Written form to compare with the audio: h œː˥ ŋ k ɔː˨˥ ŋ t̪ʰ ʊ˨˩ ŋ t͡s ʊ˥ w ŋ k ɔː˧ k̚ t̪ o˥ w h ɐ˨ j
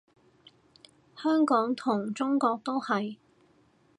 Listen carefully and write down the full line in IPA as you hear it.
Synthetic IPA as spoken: h œː˥ ŋ k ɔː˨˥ ŋ t̪ʰ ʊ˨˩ ŋ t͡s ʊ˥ ŋ k ɔː˧ k̚ t̪ o˥ w h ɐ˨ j

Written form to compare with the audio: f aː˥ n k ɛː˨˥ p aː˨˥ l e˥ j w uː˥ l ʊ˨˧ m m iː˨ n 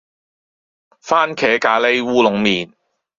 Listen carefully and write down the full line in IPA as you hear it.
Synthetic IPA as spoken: f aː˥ n kʰ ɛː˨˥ k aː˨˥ l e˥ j w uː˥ l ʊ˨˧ ŋ m iː˨ n

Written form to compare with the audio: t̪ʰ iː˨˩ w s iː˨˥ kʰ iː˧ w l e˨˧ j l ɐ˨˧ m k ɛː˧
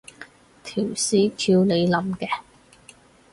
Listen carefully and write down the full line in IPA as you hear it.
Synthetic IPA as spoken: t̪ʰ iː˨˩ w s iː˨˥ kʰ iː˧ w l e˨˧ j l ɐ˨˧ m k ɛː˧

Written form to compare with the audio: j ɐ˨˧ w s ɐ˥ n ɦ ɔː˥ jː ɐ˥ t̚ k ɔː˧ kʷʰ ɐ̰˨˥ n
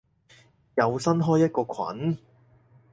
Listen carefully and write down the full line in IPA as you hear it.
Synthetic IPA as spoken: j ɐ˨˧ w s ɐ˥ n ɦ ɔː˥ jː ɐ˥ t̚ k ɔː˧ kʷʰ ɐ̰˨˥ n

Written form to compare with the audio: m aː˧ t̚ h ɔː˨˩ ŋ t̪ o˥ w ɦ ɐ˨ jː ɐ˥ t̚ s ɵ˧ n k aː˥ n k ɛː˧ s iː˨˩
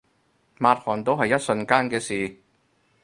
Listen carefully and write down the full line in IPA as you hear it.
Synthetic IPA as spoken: m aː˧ t̚ h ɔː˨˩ n t̪ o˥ w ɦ ɐ˨ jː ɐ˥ t̚ s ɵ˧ n k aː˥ n k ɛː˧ s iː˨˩

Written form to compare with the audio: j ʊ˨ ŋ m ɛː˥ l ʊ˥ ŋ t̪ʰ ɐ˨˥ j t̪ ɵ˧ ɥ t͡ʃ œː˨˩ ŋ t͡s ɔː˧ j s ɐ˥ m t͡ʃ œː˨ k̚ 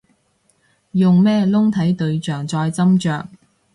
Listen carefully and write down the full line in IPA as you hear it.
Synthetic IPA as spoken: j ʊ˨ ŋ m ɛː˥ l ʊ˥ ŋ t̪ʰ ɐ˨˥ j t̪ ɵ˧ ɥ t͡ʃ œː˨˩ ŋ t͡s ɔː˧ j t͡s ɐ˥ m t͡ʃ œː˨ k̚

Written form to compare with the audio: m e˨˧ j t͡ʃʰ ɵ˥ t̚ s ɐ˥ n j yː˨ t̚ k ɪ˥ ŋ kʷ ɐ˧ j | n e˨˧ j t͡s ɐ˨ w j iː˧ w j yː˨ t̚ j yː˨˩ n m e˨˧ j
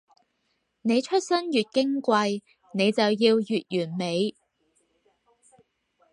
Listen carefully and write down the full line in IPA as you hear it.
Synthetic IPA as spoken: n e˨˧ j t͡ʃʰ ɵ˥ t̚ s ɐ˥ n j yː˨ t̚ k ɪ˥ ŋ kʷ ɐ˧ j | n e˨˧ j t͡s ɐ˨ w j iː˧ w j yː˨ t̚ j yː˨˩ n m e˨˧ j

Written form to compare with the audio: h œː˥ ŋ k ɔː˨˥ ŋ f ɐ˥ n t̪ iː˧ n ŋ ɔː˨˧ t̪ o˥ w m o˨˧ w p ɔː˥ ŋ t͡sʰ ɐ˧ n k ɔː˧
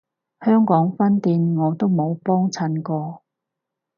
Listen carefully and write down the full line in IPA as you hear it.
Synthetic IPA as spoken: h œː˥ ŋ k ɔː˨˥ ŋ f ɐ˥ n t̪ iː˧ n ŋ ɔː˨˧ t̪ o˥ w m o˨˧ w p ɔː˥ ŋ t͡sʰ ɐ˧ n k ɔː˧

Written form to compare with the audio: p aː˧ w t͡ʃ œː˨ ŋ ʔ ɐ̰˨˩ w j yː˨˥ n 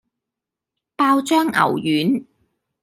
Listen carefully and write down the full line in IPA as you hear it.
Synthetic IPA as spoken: p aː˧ w t͡ʃ œː˥ ŋ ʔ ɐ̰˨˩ w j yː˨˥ n

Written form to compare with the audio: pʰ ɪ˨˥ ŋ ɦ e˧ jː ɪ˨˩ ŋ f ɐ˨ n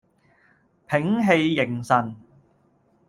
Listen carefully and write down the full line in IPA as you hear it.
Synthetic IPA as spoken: pʰ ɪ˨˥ ŋ ɦ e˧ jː ɪ˨˩ ŋ s ɐ˨ n

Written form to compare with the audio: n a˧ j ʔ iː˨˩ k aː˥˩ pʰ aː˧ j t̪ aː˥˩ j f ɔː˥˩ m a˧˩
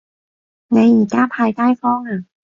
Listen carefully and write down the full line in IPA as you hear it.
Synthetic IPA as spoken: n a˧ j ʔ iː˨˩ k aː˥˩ pʰ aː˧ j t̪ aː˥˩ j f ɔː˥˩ ŋ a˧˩

